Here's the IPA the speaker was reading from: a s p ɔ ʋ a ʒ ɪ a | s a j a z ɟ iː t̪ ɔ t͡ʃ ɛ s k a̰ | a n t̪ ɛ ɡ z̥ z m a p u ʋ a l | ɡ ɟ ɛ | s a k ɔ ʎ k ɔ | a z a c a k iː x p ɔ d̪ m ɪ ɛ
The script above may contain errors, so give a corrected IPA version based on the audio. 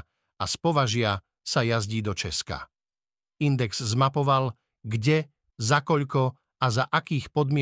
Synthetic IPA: a s p ɔ ʋ a ʒ ɪ a | s a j a z ɟ iː d̪ ɔ t͡ʃ ɛ s k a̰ | i n d̪ ɛ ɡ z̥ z m a p ɔ ʋ a l | ɡ ɟ ɛ | z a k ɔ ʎ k ɔ | a z a ʔ a k iː x p ɔ d̪ m ɪ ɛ